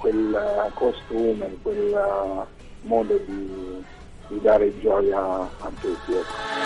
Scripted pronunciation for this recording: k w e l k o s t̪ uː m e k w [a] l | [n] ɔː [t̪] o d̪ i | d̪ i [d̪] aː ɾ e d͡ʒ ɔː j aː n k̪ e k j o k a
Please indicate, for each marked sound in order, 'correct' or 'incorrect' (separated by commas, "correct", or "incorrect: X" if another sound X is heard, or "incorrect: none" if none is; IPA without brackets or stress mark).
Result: incorrect: e, incorrect: m, incorrect: d̪, correct